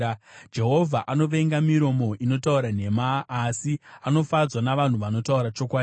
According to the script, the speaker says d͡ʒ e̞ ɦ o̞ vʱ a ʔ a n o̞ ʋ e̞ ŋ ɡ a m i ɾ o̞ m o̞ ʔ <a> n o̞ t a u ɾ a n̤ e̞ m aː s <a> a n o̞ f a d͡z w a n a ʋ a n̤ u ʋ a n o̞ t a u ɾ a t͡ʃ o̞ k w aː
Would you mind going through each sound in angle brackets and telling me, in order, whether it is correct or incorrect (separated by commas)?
incorrect, incorrect